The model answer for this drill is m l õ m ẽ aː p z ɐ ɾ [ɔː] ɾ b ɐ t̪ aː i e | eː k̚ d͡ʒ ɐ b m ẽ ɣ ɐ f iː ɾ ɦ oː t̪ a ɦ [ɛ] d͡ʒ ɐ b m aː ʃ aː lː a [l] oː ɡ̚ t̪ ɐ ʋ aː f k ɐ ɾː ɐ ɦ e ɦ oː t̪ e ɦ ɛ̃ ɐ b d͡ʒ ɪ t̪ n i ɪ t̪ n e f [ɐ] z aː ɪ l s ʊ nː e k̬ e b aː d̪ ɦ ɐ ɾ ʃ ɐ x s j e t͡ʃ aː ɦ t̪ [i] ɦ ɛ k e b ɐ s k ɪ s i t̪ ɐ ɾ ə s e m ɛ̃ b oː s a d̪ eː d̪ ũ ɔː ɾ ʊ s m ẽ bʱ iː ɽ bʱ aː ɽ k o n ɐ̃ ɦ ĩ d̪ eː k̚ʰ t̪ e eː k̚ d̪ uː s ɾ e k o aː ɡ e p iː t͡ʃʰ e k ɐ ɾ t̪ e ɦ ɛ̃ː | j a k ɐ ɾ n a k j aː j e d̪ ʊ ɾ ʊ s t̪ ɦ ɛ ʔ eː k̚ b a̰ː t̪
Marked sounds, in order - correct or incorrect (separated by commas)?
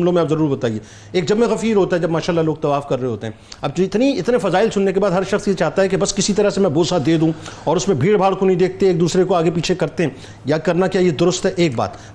incorrect, correct, correct, correct, incorrect